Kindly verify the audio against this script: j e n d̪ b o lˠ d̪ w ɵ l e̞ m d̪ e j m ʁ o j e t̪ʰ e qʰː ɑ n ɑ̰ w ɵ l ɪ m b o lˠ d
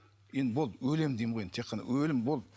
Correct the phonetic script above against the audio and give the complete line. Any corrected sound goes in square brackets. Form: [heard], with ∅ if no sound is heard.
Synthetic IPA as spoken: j e n d̪ b o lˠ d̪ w ɵ l e̞ m d̪ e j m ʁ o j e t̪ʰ e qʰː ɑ n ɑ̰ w ɵ l ɪ m b o lˠ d